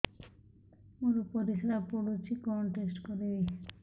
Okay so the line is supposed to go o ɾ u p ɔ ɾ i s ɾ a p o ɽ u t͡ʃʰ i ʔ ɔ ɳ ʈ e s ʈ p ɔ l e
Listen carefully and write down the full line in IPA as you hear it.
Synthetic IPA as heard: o ɾ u p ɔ ɾ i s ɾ a p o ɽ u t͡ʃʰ i k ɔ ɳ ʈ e s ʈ k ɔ ɾ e